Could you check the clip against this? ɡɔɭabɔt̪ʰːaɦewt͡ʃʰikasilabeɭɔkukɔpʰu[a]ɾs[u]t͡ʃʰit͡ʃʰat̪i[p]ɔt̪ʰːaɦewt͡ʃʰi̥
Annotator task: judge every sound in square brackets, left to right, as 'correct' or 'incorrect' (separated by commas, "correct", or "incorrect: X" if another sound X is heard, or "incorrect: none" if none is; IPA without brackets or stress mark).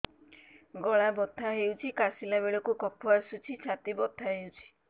correct, correct, incorrect: b